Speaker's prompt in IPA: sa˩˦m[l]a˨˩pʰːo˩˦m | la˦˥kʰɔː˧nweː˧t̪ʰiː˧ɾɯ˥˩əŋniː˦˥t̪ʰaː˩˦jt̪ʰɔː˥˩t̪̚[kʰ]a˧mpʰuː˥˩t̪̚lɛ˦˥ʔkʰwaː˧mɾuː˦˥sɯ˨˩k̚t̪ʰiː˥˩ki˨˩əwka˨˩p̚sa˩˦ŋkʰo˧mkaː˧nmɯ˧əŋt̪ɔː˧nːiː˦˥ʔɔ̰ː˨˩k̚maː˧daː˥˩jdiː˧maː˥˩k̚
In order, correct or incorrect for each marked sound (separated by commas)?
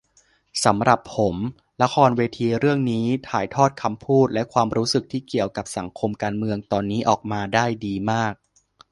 incorrect, correct